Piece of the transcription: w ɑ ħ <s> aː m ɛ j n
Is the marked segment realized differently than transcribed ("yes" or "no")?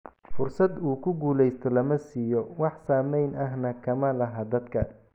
no